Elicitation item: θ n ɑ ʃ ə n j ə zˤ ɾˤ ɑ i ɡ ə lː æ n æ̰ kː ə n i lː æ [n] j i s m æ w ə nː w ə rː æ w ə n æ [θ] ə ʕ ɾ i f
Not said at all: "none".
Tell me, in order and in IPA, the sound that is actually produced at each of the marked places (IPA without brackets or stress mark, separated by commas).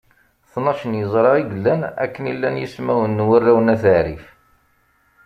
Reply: n, θ